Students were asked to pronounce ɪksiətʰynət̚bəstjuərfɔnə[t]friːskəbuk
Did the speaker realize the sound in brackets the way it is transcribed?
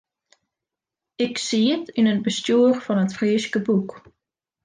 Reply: yes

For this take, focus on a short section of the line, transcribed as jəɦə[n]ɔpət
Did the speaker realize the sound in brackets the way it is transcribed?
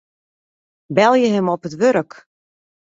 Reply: no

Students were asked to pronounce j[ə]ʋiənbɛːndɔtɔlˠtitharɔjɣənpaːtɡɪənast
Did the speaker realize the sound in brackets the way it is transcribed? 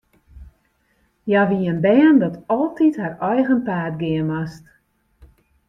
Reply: no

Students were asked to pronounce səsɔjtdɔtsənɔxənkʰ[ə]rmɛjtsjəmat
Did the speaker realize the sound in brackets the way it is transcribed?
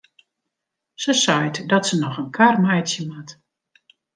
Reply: no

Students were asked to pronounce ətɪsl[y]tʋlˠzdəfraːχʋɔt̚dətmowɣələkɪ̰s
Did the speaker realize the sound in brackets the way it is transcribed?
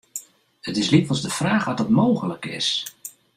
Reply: no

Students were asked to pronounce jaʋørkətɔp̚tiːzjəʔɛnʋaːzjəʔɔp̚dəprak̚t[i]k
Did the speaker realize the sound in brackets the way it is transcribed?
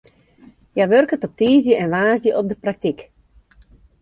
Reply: yes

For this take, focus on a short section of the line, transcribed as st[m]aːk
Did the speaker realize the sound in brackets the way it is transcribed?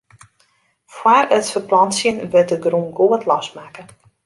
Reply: yes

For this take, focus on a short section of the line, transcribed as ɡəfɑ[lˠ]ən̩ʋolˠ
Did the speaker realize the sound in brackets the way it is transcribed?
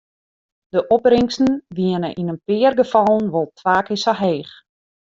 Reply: yes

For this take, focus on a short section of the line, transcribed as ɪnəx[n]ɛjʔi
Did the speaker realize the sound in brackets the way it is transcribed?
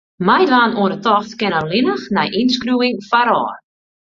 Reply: yes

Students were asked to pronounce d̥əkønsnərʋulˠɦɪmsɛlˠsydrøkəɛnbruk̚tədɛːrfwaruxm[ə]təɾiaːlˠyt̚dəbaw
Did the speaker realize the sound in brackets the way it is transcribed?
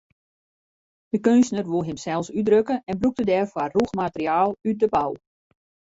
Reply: no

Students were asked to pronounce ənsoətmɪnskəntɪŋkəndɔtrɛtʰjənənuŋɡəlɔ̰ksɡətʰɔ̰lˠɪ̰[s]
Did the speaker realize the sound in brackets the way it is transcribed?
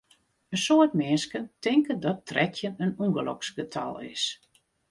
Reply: yes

